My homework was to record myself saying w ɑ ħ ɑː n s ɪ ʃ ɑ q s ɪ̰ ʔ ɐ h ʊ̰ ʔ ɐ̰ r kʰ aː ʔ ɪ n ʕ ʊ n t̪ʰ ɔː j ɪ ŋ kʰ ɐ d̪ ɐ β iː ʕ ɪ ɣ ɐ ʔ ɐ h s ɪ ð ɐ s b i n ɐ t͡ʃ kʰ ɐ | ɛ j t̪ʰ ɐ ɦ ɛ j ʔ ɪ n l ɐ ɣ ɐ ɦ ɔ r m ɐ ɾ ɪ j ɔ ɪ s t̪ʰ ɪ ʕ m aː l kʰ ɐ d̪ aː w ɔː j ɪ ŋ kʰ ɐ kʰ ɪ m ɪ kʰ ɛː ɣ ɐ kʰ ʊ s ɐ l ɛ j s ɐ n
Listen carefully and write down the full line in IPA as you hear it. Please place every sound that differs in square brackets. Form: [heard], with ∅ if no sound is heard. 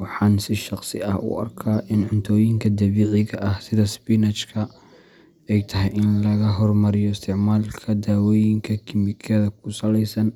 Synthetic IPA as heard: w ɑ ħ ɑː n s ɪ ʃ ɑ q s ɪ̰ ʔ ɐ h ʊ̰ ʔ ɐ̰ r kʰ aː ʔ ɪ n ʕ ʊ n t̪ʰ ɔː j ɪ ŋ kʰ ɐ d̪ ɐ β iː ʕ ɪ ɣ ɐ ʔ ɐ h s ɪ ð ɐ s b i n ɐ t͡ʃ kʰ ɐ | ɛ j t̪ʰ ɐ ɦ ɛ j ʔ ɪ n l ɐ ɣ ɐ ɦ ɔ r m ɐ ɾ ɪ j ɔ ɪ s t̪ʰ ɪ ʕ m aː l kʰ ɐ d̪ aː w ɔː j ɪ ŋ kʰ ɐ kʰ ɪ m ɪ kʰ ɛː [ð] ɐ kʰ ʊ s ɐ l ɛ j s ɐ n